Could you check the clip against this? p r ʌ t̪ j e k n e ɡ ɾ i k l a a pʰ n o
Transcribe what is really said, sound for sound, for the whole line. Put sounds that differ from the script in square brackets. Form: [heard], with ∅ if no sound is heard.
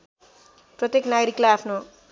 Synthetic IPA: p r ʌ t̪ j e k n [a] ɡ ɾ i k l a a pʰ n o